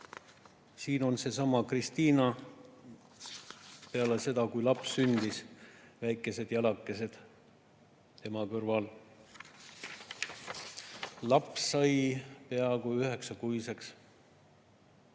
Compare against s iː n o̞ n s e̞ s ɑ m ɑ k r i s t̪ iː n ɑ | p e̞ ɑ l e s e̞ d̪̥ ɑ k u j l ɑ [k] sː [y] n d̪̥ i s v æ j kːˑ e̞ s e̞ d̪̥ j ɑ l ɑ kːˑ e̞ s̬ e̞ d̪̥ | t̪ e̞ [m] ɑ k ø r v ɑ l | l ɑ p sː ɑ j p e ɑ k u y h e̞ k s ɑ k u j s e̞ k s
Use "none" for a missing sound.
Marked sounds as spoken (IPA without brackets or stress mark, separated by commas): p, y, m